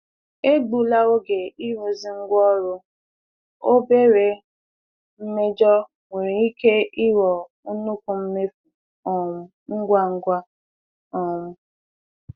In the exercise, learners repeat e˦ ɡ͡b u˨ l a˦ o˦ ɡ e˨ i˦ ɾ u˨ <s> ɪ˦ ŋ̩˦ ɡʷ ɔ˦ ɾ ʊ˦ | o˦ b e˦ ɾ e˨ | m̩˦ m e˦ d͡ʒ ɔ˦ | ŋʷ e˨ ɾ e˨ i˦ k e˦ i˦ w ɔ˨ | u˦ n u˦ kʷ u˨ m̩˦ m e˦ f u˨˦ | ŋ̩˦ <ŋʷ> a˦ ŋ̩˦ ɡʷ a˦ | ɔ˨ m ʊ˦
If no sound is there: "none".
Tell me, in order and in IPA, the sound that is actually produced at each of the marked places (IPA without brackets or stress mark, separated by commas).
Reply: z, ɡʷ